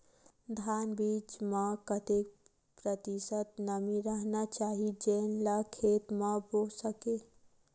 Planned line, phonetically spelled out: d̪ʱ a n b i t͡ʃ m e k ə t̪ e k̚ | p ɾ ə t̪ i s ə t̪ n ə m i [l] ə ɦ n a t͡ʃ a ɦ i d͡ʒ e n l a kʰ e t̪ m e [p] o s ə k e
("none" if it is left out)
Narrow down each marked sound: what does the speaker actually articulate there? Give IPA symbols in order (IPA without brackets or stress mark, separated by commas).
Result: ɾ, b